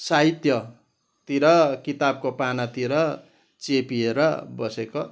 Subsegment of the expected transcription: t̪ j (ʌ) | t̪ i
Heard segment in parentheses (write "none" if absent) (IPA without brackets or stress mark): ʌ